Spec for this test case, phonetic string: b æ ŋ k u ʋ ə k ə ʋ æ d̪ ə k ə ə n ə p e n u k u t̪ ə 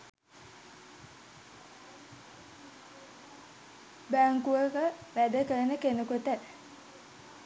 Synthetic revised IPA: b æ ŋ k u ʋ ə k ə ʋ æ d̪ ə k ə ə n ə k e n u k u t̪ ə

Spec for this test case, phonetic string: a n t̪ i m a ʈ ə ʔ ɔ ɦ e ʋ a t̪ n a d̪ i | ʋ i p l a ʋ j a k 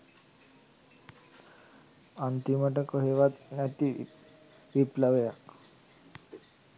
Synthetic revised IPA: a n t̪ i m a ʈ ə k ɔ ɦ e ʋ a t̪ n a t̪ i | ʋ i p l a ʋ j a k

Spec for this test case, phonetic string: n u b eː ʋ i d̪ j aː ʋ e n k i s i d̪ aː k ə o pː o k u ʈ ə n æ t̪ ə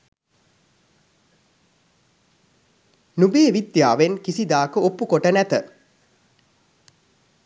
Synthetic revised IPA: n u b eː ʋ i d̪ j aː ʋ e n k i s i d̪ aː k ə o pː u k o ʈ ə n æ t̪ ə

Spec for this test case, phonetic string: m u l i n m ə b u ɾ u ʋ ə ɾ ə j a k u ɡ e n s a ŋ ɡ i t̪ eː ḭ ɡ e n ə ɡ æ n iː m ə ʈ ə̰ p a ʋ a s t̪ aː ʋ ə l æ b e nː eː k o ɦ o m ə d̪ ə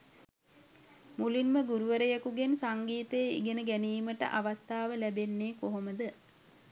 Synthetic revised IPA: m u l i n m ə ɡ u ɾ u ʋ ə ɾ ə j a k u ɡ e n s a ŋ ɡ iː t̪ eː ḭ ɡ e n ə ɡ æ n iː m ə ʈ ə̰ ʔ a ʋ a s t̪ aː ʋ ə l æ b e nː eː k o ɦ o m ə d̪ ə

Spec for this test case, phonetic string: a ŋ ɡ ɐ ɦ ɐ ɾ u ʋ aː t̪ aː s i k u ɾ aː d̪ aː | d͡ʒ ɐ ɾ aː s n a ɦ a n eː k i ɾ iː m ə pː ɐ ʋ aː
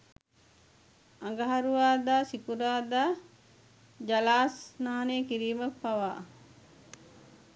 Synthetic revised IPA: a ŋ ɡ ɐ ɦ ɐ ɾ u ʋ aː d̪ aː s i k u ɾ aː d̪ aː | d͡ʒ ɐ l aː s n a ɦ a n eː k i ɾ iː m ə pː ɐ ʋ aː

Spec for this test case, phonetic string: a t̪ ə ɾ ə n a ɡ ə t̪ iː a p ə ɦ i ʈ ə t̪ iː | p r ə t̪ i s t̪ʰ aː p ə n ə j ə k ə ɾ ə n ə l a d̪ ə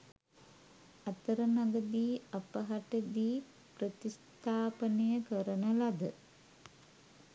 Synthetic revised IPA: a t̪ ə ɾ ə n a ɡ ə d̪ iː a p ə ɦ a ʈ ə d̪ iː | p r ə t̪ i s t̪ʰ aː p ə n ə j ə k ə ɾ ə n ə l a d̪ ə

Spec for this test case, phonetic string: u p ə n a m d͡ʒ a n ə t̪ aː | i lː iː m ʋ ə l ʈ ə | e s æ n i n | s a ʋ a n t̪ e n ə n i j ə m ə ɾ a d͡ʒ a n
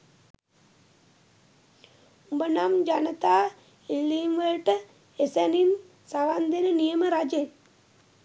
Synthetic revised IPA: u b ə n a m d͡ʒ a n ə t̪ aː | i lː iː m ʋ ə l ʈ ə | e s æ n i n | s a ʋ a n d̪ e n ə n i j ə m ə ɾ a d͡ʒ e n

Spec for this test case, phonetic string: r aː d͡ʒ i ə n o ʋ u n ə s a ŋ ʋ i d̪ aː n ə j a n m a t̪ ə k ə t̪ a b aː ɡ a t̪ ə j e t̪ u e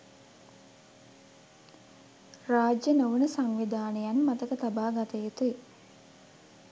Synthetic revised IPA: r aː d͡ʒ j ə n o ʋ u n ə s a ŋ ʋ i d̪ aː n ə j a n m a t̪ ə k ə t̪ a b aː ɡ a t̪ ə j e t̪ u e

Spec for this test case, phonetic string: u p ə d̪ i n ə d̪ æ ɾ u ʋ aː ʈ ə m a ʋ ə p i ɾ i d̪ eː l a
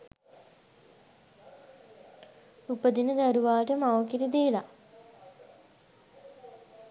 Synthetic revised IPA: u p ə d̪ i n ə d̪ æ ɾ u ʋ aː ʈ ə m a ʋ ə k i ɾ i d̪ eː l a

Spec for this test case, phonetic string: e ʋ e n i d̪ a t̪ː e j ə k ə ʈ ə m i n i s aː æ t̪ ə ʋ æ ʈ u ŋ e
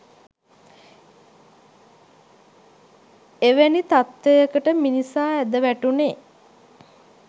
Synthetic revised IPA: e ʋ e n i t̪ a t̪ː e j ə k ə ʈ ə m i n i s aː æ d̪ ə ʋ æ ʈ u n e

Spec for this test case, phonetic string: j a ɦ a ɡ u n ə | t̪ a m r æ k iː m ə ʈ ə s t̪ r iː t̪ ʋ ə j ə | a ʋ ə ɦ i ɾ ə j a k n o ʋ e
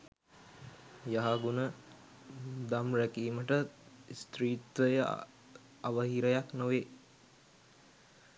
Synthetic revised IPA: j a ɦ a ɡ u n ə | d̪ a m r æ k iː m ə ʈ ə s t̪ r iː t̪ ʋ ə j ə | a ʋ ə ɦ i ɾ ə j a k n o ʋ e

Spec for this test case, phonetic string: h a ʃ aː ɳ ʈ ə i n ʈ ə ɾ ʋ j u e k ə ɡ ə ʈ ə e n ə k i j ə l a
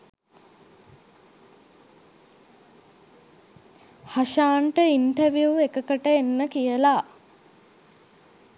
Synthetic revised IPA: h a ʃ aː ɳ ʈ ə i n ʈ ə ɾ ʋ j u e k ə k ə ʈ ə e nː ə k i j ə l a

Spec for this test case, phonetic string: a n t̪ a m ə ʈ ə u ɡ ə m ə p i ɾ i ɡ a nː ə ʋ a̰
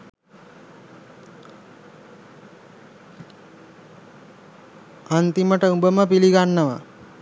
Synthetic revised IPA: a n t̪ i m ə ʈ ə u b ə m ə p i l i ɡ a nː ə ʋ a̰

